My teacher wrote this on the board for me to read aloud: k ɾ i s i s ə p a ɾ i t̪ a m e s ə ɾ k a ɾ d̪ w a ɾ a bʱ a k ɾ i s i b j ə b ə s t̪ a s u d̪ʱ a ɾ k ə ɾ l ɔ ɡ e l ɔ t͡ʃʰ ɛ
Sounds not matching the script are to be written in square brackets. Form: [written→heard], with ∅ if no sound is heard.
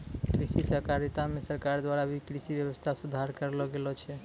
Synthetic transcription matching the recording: k ɾ i s i s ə [p→k] a ɾ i t̪ a m e s ə ɾ k a ɾ d̪ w a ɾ a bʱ [a→i] k ɾ i s i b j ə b ə s [t̪→t̪ʰ] a s u d̪ʱ a ɾ k ə ɾ l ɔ ɡ e l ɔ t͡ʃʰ ɛ